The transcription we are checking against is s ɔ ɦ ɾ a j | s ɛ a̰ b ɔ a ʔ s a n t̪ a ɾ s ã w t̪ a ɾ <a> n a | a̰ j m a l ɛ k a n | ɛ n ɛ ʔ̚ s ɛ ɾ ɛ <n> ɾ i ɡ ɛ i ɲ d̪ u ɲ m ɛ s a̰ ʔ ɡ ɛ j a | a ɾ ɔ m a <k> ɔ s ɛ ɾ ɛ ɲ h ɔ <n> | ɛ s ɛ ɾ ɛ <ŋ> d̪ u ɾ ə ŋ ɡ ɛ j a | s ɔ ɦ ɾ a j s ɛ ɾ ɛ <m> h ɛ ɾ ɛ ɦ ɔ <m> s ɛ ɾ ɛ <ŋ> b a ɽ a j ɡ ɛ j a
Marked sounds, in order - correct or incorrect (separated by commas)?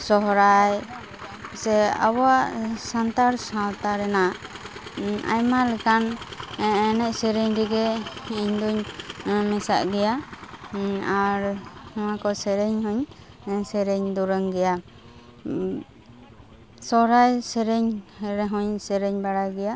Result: incorrect, incorrect, correct, incorrect, incorrect, incorrect, incorrect, incorrect